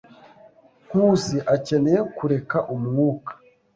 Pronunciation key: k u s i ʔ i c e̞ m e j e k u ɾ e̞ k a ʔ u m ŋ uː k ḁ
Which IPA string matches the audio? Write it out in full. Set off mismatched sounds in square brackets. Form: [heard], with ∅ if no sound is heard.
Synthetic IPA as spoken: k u s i ʔ [a] c e̞ [n] e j e k u ɾ e̞ k a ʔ u m ŋ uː k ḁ